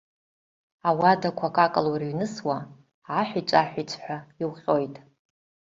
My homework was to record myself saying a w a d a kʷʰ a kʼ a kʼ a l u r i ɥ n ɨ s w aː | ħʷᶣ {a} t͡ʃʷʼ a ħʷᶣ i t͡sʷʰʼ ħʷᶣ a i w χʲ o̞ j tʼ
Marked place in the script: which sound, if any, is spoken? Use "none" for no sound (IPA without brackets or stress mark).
i